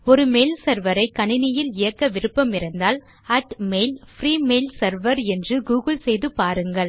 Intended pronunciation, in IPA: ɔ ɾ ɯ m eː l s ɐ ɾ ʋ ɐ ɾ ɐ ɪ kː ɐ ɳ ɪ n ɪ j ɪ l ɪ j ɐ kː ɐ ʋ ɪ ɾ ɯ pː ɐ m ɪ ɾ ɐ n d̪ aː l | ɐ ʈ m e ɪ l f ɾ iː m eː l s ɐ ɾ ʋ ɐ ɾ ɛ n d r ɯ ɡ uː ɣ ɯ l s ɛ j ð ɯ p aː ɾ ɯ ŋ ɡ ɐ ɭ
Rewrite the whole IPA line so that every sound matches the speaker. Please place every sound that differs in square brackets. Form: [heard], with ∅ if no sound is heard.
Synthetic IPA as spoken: ɔ ɾ ɯ m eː l s ɐ ɾ ʋ ɐ ɾ ɐ ɪ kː ɐ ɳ ɪ n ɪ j ɪ l ɪ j ɐ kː ɐ ʋ ɪ ɾ ɯ pː ɐ m ɪ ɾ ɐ n d̪ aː l | ɐ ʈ m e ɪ l f ɾ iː m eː l s ɐ ɾ ʋ ɐ ɾ ɛ n d r ɯ ɡ uː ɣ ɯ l s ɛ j ð ɯ p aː ɾ ɯ ŋ ɡ ɐ ɭ